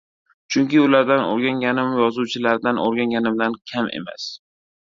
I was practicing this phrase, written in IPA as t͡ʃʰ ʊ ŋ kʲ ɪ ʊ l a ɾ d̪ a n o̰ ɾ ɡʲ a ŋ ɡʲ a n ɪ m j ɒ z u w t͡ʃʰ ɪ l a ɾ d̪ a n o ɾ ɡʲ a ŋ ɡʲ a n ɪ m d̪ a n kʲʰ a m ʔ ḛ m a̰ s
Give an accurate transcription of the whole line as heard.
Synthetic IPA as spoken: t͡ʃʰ ʊ ŋ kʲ ɪ ʊ l a ɾ d̪ a n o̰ ɾ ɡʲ a ŋ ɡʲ a n ɪ m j ɒ z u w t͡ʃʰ ɪ l a ɾ d̪ a n o ɾ ɡʲ a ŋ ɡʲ a n ɪ m d̪ a n kʲʰ a m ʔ ḛ m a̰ s

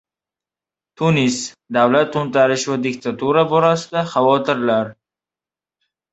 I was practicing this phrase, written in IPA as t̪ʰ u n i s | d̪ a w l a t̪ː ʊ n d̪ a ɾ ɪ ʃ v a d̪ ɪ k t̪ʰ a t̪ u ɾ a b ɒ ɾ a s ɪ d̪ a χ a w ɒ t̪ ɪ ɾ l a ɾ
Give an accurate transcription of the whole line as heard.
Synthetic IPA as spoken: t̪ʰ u n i s | d̪ a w l a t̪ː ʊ n t̪ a ɾ ɪ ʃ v a d̪ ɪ k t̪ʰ a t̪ u ɾ a b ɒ ɾ a s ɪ d̪ a χ a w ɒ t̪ ɪ ɾ l a ɾ

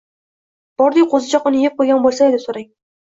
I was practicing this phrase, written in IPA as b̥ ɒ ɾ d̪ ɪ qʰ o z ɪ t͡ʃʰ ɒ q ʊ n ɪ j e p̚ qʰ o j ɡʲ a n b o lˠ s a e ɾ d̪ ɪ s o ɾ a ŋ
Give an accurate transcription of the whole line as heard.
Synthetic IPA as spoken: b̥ ɒ ɾ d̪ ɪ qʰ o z ɪ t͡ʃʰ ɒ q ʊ n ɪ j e p̚ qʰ o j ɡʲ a n b o lˠ s a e d̪ ɪ s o ɾ a ŋ

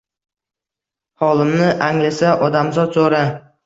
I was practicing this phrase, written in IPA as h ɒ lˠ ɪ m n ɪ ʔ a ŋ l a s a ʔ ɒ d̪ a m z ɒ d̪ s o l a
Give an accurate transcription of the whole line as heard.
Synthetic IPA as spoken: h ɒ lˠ ɪ m n ɪ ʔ a ŋ l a s a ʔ ɒ d̪ a m z ɒ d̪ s o ɾ a

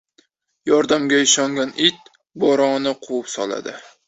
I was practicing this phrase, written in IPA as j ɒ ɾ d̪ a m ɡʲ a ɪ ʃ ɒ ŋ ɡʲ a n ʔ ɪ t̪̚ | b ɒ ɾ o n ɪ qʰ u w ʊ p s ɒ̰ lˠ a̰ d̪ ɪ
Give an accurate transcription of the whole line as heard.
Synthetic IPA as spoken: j ɒ ɾ d̪ a m ɡʲ a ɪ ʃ ɒ ŋ ɡʲ a n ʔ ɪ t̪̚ | b ɒ ɾ ɒ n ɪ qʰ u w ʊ p s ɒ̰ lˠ a̰ d̪ ɪ

